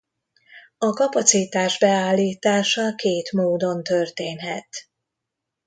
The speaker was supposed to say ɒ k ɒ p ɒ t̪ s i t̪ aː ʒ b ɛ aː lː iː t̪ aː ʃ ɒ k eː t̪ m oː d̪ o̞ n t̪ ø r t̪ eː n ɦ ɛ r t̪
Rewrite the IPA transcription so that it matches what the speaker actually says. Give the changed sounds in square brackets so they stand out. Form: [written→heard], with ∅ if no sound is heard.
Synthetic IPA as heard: ɒ k ɒ p ɒ t̪ s i t̪ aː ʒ b ɛ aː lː iː t̪ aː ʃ ɒ k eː t̪ m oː d̪ o̞ n t̪ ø r t̪ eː n ɦ ɛ [r→∅] t̪

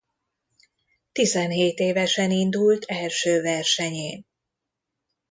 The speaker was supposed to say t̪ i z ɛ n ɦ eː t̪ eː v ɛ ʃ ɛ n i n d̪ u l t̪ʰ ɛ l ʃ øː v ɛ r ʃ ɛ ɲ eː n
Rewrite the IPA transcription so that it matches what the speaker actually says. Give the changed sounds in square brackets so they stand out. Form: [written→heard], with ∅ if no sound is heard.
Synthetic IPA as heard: t̪ i z ɛ n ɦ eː t̪ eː v ɛ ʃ ɛ n i n d̪ u l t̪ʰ ɛ l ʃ øː v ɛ r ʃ ɛ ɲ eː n

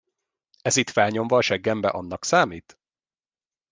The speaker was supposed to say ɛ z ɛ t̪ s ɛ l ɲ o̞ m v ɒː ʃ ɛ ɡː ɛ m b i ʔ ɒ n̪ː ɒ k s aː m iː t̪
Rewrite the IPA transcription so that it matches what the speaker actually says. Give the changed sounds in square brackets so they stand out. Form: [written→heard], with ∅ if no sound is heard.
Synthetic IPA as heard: ɛ z [ɛ→i] t̪ [s→f] ɛ l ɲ o̞ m v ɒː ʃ ɛ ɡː ɛ m b [i→ɛ] ʔ ɒ n̪ː ɒ k s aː m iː t̪

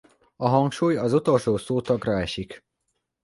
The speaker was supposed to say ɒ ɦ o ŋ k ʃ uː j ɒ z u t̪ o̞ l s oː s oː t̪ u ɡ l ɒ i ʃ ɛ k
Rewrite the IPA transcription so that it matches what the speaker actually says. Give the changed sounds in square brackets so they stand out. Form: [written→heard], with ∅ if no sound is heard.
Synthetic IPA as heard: ɒ ɦ [o→ɒ] ŋ k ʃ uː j ɒ z u t̪ o̞ l [s→ʃ] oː s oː t̪ [u→ɒ] ɡ [l→r] ɒ [i→ɛ] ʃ [ɛ→i] k

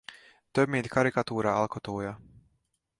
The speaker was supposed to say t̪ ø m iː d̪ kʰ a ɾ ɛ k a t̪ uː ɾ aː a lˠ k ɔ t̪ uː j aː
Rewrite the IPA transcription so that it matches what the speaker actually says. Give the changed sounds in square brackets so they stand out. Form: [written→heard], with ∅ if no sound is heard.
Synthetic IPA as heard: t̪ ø m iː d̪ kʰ a ɾ [ɛ→i] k a t̪ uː ɾ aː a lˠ k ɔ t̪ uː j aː

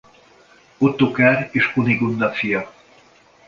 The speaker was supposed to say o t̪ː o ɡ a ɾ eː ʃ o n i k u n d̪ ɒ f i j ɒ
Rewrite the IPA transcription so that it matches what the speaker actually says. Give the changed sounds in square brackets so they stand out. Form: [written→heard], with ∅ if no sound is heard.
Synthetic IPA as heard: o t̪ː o [ɡ→k] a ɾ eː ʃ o n i [k→ɡ] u n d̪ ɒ f i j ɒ

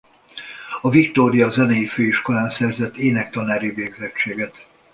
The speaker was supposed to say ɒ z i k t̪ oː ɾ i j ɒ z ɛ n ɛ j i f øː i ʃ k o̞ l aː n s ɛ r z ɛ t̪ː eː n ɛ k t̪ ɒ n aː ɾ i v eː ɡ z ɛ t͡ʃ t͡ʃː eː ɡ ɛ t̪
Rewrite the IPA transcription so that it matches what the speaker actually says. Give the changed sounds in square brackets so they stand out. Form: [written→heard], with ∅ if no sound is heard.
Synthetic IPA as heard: ɒ [z→v] i k t̪ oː ɾ i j ɒ z ɛ n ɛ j i f øː i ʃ k o̞ l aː n s ɛ r z ɛ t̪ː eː n ɛ k t̪ ɒ n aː ɾ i v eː ɡ z ɛ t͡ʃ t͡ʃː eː ɡ ɛ t̪

